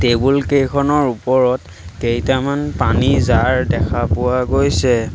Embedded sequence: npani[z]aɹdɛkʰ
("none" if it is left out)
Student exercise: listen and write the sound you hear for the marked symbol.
z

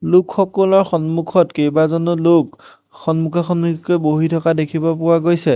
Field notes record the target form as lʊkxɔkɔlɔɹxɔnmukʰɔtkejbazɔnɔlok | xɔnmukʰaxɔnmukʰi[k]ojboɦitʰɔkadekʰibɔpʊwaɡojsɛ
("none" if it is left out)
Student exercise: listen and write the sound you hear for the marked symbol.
k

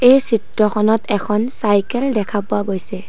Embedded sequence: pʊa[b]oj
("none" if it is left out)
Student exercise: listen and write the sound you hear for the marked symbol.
ɡ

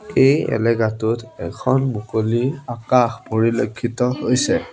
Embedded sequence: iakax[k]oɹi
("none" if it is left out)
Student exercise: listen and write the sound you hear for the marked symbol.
p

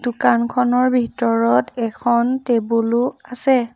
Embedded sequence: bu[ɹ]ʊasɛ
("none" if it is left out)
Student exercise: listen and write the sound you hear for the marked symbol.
l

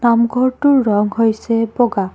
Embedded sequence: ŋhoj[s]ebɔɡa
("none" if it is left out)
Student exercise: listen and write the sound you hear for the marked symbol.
s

